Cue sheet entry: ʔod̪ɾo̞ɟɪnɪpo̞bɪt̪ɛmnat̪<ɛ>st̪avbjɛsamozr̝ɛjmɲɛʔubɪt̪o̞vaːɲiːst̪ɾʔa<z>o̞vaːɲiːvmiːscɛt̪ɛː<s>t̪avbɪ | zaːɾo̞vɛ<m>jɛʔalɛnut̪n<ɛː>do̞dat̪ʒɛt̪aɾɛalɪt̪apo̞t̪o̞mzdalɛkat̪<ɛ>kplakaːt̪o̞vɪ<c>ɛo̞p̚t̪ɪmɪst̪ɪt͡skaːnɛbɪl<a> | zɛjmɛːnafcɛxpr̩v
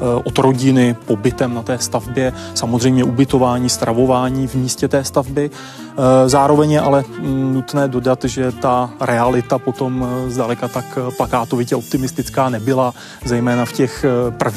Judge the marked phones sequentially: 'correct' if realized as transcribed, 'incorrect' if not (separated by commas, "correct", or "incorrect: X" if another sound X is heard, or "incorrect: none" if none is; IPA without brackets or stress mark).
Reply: incorrect: ɛː, incorrect: v, correct, incorrect: ɲ, correct, incorrect: a, correct, correct